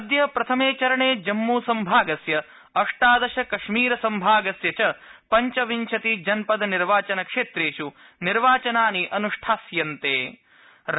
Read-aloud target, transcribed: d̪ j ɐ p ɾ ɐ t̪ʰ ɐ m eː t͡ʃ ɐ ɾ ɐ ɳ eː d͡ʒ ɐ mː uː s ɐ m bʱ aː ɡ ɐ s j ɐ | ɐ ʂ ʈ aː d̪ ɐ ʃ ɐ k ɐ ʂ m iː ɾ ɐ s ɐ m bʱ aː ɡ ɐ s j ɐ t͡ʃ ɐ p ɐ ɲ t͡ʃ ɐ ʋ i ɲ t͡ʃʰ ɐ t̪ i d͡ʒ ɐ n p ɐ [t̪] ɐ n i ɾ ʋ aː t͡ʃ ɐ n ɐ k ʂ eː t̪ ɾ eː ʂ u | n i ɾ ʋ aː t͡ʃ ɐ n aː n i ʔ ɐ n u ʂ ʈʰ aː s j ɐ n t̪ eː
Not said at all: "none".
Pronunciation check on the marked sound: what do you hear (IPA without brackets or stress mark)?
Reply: d̪